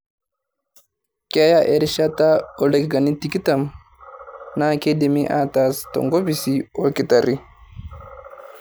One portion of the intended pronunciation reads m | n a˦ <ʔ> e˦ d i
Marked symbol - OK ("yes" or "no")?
no